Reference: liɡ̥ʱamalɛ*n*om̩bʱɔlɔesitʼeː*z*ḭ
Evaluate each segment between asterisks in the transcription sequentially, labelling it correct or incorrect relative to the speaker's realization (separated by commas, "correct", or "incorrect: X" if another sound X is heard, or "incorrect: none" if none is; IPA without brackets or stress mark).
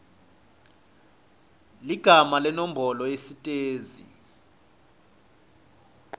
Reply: correct, correct